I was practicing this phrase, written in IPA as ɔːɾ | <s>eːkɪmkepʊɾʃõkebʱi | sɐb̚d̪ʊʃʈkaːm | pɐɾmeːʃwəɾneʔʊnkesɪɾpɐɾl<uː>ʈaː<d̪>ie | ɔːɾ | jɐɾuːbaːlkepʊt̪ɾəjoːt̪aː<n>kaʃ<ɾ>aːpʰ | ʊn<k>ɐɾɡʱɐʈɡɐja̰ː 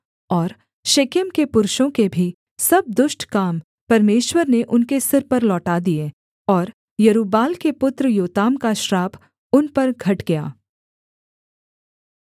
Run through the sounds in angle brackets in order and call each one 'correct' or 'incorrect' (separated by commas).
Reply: incorrect, incorrect, correct, incorrect, correct, incorrect